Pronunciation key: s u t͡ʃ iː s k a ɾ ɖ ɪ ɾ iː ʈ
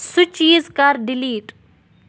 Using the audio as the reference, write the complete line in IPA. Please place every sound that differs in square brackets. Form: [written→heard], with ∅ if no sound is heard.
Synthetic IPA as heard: s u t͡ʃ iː [s→z] k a ɾ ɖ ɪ [ɾ→l] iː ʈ